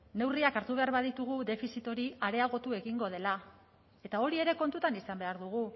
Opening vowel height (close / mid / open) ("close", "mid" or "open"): mid